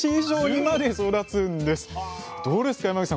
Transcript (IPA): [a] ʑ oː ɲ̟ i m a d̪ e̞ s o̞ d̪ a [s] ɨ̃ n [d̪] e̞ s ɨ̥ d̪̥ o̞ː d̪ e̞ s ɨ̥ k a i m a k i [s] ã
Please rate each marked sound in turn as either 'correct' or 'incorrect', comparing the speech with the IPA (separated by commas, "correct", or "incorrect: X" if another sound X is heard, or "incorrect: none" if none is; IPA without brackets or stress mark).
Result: incorrect: i, incorrect: t͡s, correct, correct